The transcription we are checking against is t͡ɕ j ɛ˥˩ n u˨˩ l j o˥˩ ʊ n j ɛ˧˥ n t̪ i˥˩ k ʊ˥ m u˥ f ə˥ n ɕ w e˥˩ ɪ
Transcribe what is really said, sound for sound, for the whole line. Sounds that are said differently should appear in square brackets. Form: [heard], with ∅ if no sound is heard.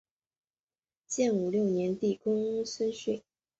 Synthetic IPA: t͡ɕ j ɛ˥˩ n u˨˩ l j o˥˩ ʊ n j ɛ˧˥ n t̪ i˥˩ k ʊ˥ [ŋ] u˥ [s] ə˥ n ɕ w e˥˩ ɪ